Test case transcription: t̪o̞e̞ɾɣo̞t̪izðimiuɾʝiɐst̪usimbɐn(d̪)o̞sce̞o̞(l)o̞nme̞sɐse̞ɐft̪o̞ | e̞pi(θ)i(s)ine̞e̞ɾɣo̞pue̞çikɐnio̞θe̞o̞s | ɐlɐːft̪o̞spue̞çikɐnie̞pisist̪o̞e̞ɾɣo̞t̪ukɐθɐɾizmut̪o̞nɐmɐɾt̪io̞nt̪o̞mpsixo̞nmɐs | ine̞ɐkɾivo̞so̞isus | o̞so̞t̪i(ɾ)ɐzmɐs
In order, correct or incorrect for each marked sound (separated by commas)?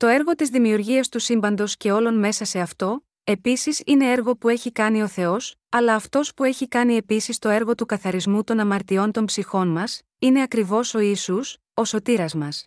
correct, correct, incorrect, correct, correct